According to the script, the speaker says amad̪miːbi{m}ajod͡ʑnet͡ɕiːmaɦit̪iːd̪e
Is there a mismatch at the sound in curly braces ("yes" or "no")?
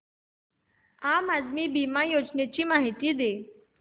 no